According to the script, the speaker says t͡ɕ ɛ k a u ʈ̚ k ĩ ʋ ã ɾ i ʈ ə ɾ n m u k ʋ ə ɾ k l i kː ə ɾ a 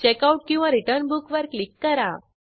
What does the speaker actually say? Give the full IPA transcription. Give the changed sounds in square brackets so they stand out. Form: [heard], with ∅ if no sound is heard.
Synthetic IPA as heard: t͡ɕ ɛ k a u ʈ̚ k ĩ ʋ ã ɾ i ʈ ə ɾ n [b] u k ʋ ə ɾ k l i kː ə ɾ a